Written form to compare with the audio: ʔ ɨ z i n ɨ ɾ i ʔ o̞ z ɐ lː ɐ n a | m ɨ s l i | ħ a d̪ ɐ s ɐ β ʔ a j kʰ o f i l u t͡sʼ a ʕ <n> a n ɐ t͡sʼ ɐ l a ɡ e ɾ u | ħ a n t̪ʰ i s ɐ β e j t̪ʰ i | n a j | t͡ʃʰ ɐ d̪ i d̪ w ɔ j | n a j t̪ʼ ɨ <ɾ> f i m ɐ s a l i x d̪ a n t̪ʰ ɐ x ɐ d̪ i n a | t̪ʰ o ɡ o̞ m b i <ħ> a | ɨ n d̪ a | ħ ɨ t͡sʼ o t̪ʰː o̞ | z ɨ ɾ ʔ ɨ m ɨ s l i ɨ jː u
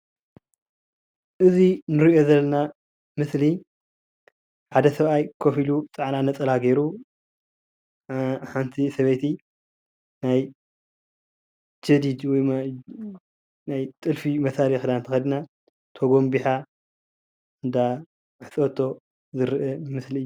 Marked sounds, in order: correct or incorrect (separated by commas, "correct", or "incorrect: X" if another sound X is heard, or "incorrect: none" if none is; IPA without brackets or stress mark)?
correct, incorrect: l, correct